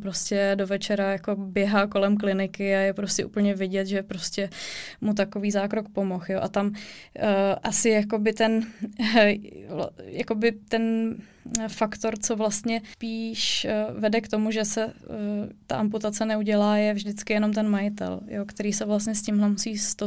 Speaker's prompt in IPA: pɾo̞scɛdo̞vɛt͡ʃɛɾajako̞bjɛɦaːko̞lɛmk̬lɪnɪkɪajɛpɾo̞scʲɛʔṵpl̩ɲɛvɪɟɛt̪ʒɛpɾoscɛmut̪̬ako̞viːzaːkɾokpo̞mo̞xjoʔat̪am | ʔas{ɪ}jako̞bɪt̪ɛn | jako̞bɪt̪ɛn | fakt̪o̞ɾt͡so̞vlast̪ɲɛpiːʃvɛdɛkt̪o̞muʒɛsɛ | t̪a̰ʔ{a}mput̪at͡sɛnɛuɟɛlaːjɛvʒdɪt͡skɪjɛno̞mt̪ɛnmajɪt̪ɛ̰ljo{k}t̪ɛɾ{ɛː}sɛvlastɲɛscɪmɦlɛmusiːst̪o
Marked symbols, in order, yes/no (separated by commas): yes, yes, yes, no